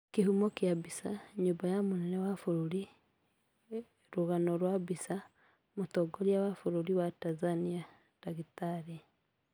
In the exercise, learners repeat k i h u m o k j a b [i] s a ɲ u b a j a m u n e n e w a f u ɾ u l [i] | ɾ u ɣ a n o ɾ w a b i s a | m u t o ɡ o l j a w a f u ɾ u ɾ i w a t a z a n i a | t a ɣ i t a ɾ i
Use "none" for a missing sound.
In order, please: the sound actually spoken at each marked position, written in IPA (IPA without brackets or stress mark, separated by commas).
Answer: i, i